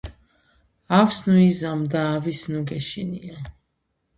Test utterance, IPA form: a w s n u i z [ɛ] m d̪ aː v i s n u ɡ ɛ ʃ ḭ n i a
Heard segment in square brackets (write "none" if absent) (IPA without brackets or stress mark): a